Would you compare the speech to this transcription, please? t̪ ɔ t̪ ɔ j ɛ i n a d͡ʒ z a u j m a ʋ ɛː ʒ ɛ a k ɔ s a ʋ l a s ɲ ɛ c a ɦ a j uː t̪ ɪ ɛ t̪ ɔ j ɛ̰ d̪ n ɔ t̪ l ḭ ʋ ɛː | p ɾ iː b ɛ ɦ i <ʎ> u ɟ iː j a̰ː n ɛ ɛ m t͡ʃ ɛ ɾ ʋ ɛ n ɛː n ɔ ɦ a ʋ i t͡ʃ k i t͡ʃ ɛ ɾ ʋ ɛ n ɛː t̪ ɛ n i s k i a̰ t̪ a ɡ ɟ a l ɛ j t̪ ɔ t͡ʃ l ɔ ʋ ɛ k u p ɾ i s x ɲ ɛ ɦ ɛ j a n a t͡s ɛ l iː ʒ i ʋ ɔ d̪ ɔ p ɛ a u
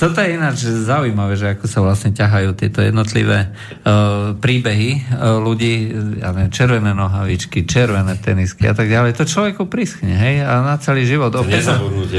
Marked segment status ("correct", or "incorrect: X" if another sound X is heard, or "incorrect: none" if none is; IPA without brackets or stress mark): incorrect: l